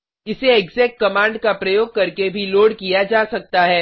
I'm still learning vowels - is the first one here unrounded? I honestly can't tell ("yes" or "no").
yes